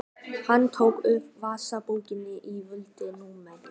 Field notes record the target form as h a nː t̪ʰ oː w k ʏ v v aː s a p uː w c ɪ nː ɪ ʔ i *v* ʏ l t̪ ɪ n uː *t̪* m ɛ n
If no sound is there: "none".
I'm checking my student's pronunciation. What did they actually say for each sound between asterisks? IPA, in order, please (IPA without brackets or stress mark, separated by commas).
v, none